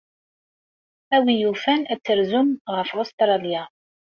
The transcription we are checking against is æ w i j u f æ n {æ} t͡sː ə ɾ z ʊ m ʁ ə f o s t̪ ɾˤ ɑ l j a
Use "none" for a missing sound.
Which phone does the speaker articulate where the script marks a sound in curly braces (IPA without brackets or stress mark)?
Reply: æ